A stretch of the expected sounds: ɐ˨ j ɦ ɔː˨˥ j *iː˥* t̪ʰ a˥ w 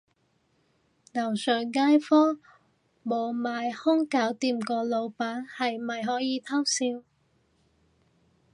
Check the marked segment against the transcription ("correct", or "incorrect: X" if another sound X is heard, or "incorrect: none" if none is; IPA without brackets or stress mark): incorrect: iː˨˧